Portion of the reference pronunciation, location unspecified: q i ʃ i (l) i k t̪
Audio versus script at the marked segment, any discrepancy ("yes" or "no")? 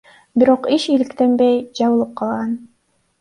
no